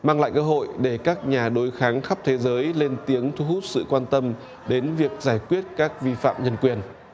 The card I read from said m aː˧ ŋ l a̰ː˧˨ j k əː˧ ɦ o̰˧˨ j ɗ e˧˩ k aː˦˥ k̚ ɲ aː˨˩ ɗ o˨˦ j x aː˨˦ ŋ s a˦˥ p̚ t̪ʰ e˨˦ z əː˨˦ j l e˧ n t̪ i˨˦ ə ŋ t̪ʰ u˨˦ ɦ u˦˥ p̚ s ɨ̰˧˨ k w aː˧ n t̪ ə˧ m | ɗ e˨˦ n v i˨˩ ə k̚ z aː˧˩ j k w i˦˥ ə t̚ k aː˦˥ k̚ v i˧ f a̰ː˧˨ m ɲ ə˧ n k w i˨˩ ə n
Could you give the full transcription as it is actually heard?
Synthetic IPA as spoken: m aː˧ ŋ l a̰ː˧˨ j k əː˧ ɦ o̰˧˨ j ɗ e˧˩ k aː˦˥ k̚ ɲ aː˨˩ ɗ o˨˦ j x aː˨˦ ŋ x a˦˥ p̚ t̪ʰ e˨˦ z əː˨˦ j l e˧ n t̪ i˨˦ ə ŋ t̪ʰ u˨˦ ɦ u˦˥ t̚ s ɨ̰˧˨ k w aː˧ n t̪ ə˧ m | ɗ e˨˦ n v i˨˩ ə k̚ z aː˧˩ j k w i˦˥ ə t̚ k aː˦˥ k̚ v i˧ f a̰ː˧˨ m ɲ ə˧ n k w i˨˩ ə n